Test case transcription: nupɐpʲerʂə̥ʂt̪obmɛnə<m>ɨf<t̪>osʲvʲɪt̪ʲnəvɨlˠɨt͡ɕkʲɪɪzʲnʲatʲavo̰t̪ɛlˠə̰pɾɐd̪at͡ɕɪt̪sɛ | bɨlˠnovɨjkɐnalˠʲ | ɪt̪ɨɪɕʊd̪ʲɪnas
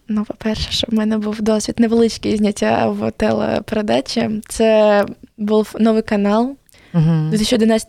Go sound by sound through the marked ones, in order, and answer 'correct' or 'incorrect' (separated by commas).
incorrect, incorrect